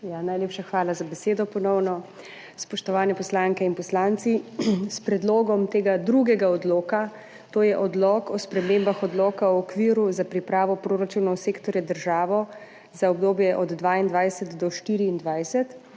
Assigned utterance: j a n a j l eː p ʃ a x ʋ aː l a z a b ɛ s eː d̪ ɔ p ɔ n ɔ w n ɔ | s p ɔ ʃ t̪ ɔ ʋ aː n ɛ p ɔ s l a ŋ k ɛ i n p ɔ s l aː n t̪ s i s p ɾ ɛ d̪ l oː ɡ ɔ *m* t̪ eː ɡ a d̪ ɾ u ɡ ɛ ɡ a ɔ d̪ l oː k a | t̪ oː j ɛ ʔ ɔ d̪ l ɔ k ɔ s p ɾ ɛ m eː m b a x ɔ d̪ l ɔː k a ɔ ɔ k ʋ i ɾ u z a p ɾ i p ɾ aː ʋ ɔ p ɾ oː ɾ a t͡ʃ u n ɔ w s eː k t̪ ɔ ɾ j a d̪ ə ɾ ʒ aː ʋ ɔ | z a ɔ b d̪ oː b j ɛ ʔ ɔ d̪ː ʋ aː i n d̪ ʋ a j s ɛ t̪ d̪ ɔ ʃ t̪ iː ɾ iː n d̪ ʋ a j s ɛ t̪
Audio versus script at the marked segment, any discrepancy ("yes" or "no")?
no